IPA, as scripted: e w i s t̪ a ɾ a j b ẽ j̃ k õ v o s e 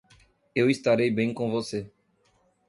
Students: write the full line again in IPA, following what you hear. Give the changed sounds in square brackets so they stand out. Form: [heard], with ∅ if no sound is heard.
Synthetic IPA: e w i s t̪ a ɾ [e] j b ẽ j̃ k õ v o s e